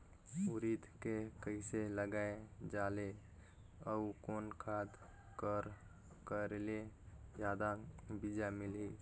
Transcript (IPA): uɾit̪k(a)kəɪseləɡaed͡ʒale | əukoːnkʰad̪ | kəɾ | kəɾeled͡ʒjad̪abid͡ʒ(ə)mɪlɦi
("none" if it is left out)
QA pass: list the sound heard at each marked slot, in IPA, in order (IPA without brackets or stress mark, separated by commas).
e, a